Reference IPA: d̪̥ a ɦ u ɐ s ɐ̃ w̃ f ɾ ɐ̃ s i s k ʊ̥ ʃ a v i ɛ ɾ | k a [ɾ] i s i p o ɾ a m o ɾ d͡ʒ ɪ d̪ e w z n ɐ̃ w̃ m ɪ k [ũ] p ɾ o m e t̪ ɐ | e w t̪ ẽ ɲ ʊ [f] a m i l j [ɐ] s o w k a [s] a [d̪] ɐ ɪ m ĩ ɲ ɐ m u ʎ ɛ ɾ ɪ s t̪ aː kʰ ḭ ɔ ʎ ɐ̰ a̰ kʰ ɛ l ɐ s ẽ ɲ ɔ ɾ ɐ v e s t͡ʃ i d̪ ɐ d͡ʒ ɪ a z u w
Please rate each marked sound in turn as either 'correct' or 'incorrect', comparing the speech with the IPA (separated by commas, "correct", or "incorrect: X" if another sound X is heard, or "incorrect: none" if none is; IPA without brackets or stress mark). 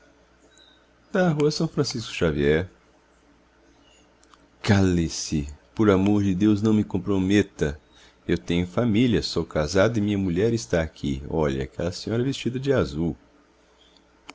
incorrect: l, incorrect: õ, correct, correct, incorrect: z, correct